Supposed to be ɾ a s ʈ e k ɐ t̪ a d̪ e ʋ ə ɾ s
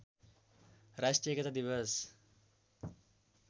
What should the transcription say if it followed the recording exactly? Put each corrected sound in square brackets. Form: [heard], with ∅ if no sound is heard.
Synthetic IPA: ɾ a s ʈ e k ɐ t̪ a d̪ [i] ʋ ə [∅] s

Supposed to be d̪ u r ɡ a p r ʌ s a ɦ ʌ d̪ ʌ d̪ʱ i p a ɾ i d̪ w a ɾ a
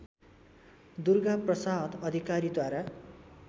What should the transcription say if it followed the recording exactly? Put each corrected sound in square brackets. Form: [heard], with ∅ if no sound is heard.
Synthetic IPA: d̪ u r ɡ a p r ʌ s a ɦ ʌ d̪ ʌ d̪ʱ i [k] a ɾ i d̪ w a ɾ a

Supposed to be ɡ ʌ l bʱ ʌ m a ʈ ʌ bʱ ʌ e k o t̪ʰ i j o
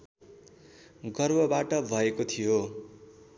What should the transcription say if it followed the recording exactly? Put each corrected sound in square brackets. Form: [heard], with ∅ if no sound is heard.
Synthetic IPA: ɡ ʌ [r] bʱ ʌ [b] a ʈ ʌ bʱ ʌ e k o t̪ʰ i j o

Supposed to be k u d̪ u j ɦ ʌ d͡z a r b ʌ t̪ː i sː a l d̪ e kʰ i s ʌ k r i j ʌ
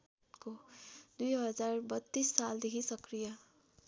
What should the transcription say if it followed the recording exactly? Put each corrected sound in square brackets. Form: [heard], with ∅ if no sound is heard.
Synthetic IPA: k [o] d̪ u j ɦ ʌ d͡z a r b ʌ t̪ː i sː a l d̪ e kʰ i s ʌ k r i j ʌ

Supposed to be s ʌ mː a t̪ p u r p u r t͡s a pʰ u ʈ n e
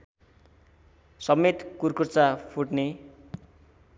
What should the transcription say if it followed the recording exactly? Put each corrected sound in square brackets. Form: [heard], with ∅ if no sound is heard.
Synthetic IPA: s ʌ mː [e] t̪ [k] u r [k] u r t͡s a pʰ u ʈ n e

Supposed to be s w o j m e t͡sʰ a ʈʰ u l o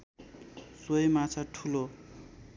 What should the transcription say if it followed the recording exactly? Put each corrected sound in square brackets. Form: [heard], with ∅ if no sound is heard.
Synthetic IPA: s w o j m [a] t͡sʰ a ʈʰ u l o

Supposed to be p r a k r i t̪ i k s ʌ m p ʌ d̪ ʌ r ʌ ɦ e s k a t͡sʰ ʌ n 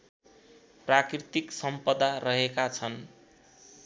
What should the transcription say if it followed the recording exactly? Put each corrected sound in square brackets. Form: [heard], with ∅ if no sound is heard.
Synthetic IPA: p r a k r i t̪ i k s ʌ m p ʌ d̪ [a] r ʌ ɦ e [∅] k a t͡sʰ ʌ n

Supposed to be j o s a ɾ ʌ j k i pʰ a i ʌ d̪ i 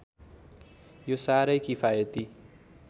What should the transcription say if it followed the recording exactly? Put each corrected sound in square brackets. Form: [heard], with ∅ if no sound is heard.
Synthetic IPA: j o s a ɾ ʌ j k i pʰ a [j] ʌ [t̪] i

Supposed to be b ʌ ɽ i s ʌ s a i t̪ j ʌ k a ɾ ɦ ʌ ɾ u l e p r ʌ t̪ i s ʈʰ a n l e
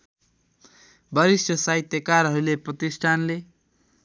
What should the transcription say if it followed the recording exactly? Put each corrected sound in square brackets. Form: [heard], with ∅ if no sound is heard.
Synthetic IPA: b ʌ [ɾ] i s ʌ s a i t̪ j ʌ k a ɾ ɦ ʌ ɾ u l e p r ʌ t̪ i s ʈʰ a n l e

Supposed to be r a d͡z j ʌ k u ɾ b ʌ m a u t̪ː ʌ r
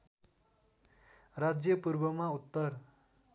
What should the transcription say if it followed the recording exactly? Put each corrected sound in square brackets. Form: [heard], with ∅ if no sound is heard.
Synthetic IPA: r a d͡z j ʌ [p] u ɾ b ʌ m a u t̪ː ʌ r

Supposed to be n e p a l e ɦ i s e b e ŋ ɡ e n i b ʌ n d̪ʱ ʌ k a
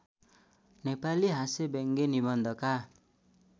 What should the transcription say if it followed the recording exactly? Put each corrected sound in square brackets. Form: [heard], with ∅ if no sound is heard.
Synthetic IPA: n e p a l [i] ɦ [a] s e b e ŋ ɡ e n i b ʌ n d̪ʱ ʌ k a

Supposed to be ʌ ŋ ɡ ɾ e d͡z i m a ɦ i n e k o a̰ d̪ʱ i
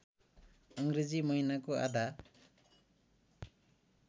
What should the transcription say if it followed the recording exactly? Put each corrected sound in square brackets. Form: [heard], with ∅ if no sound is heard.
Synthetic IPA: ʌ ŋ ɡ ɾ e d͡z i m [ʌ] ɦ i n [a] k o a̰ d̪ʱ [a]

